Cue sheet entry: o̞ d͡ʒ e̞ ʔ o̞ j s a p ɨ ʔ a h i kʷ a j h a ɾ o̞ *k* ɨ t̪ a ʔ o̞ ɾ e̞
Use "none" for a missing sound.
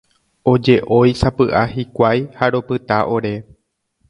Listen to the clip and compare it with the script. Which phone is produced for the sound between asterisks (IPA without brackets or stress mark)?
p